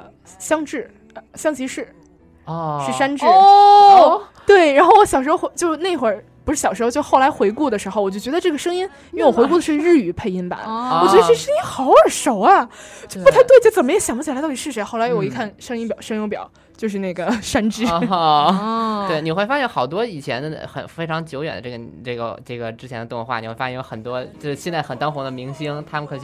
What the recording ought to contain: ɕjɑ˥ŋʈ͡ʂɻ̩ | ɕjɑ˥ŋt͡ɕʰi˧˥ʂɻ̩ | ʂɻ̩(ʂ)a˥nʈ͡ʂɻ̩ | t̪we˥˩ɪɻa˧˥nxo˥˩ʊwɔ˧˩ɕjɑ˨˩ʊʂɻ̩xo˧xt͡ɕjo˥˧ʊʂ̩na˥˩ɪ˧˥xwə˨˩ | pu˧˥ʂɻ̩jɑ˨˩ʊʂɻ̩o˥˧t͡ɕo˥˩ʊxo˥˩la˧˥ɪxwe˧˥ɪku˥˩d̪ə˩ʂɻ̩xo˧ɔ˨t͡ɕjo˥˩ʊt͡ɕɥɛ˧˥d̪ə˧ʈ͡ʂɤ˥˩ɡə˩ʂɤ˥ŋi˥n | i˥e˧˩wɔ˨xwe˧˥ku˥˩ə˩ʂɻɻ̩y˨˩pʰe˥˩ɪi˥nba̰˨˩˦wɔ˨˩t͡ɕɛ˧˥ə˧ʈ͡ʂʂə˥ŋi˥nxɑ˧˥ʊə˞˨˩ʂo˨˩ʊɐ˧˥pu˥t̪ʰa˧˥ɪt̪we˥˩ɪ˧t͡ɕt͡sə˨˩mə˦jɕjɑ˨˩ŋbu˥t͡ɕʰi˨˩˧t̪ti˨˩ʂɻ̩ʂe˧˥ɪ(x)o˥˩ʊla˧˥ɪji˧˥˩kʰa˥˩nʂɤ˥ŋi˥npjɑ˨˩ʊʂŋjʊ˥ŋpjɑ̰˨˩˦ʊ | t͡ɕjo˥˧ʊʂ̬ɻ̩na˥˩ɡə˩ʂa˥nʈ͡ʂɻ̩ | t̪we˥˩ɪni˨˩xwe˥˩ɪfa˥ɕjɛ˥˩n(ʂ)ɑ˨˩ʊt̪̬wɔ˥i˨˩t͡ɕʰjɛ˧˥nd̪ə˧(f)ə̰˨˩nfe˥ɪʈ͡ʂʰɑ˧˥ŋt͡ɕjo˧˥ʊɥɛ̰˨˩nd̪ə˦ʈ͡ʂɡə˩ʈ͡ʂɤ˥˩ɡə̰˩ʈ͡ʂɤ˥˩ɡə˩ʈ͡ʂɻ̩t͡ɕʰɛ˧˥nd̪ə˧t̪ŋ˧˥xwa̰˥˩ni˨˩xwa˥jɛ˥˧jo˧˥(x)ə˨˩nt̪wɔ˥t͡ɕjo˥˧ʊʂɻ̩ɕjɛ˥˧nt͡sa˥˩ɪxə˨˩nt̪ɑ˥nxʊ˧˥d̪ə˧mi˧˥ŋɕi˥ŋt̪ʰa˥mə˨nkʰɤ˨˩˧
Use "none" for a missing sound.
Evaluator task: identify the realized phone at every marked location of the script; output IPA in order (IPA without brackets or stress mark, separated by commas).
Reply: ʂ, x, x, x, x